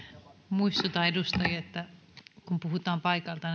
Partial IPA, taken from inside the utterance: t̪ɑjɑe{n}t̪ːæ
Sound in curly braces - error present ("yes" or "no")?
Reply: yes